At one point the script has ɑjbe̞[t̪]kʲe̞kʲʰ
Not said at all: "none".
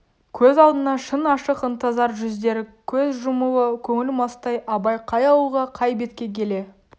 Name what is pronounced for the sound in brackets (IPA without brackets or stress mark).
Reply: t̪